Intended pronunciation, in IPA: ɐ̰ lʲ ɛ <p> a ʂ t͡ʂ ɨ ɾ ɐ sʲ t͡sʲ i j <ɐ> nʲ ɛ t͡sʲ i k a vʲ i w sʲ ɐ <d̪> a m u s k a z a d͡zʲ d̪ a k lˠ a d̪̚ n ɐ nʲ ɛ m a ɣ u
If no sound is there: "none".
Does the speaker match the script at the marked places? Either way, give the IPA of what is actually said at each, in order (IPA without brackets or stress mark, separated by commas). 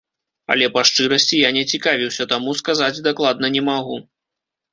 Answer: p, a, t̪